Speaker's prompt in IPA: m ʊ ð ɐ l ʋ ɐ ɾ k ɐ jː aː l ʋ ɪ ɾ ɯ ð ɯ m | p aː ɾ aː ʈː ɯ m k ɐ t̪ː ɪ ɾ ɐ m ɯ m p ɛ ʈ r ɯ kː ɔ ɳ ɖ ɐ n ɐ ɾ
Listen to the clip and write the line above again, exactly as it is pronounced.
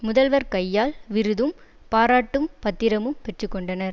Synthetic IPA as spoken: m ʊ ð ɐ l ʋ ɐ ɾ k ɐ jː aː l ʋ ɪ ɾ ɯ ð ɯ m | p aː ɾ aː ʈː ɯ m p ɐ t̪ː ɪ ɾ ɐ m ɯ m p ɛ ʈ r ɯ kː ɔ ɳ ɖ ɐ n ɐ ɾ